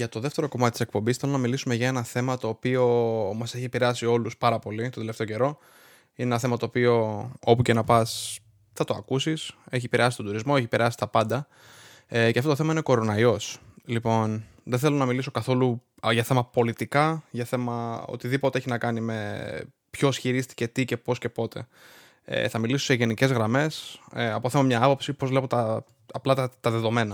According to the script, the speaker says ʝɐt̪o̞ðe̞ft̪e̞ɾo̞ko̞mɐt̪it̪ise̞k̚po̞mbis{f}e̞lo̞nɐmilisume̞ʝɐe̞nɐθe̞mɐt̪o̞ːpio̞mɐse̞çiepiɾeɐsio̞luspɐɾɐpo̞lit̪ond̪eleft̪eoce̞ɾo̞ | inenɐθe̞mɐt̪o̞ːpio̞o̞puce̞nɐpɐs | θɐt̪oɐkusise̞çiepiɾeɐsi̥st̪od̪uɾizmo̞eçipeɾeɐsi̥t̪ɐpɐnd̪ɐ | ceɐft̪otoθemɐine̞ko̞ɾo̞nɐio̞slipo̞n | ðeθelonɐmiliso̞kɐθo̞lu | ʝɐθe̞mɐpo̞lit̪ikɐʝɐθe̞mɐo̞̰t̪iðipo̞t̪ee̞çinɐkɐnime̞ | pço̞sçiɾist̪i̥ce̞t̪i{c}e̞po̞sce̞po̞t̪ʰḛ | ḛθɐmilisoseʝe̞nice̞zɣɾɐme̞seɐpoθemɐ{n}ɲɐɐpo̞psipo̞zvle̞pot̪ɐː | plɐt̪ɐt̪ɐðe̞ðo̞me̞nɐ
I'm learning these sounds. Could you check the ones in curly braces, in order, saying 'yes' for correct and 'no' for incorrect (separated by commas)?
no, yes, no